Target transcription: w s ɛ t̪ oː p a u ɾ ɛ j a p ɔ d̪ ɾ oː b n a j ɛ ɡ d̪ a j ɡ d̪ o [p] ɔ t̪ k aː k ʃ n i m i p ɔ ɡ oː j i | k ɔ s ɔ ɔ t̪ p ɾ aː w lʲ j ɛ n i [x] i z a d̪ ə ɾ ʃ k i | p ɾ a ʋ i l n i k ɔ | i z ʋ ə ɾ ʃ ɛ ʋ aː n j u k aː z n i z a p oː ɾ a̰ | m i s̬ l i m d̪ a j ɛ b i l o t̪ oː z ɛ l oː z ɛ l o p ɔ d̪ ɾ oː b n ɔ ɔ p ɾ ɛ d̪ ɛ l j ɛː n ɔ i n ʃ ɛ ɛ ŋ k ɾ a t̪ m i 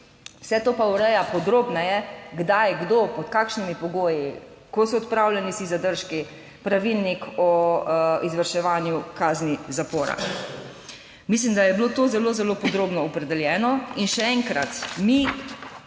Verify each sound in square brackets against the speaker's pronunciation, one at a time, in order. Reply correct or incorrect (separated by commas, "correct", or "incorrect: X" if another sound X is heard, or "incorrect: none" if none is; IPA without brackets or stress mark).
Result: correct, incorrect: s